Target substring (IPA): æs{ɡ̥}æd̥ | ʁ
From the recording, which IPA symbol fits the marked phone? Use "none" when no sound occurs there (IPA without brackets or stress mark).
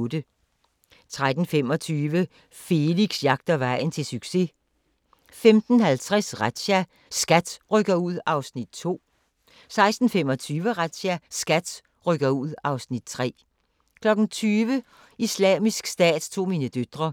ɡ̥